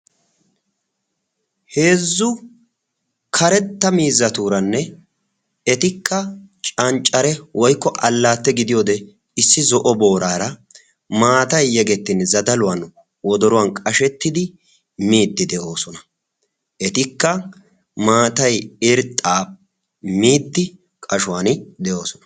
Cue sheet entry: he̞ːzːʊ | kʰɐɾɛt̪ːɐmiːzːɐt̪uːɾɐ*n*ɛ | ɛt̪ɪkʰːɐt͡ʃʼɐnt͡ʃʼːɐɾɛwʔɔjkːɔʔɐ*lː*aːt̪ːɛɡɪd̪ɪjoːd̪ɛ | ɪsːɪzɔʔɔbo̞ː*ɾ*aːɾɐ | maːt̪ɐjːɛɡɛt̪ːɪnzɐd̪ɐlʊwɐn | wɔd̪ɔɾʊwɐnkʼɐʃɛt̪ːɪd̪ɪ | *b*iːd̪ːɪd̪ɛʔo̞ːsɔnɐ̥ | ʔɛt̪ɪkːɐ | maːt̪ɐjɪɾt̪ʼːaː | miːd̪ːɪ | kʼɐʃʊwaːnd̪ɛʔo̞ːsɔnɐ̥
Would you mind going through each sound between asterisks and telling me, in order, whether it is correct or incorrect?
incorrect: nː, correct, correct, incorrect: m

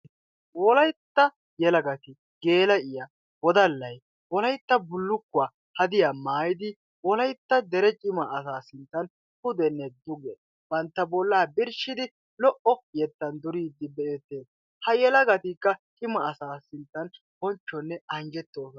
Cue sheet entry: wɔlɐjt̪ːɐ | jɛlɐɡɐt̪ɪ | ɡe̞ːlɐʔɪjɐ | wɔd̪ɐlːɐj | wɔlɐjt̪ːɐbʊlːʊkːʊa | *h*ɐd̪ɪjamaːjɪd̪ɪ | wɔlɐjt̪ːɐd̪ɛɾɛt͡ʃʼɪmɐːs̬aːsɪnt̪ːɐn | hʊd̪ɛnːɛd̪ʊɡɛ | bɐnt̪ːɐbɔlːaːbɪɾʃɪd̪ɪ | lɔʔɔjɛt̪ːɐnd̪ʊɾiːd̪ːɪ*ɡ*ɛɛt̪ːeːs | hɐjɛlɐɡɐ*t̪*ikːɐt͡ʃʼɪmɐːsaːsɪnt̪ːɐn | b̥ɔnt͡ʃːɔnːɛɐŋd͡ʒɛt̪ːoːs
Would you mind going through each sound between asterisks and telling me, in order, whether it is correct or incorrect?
correct, incorrect: b, correct

